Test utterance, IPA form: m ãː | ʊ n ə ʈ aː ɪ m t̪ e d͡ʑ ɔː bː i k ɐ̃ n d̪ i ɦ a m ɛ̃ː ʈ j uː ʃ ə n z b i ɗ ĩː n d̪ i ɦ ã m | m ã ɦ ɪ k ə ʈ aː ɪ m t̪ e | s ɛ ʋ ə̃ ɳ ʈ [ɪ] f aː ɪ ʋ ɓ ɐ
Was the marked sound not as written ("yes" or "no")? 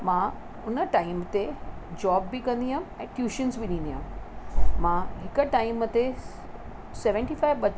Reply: yes